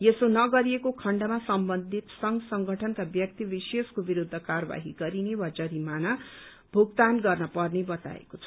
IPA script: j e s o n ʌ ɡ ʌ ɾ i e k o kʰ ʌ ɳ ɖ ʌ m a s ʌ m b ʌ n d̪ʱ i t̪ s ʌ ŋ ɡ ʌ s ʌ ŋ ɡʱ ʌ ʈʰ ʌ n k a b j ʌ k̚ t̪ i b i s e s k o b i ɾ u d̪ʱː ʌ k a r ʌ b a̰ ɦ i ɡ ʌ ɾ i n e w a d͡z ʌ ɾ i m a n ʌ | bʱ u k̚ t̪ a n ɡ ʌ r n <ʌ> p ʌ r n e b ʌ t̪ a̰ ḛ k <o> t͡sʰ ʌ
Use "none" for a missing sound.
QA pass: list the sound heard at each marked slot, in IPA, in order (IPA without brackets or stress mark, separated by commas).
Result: ʌ, o